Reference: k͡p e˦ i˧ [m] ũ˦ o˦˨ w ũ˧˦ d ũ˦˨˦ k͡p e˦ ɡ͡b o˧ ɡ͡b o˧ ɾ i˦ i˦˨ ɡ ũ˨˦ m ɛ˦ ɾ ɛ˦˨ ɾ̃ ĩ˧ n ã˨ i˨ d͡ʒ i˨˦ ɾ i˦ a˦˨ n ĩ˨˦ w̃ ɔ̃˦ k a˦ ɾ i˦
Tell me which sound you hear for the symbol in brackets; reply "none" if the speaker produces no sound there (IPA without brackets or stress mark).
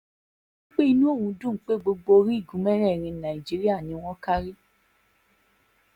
n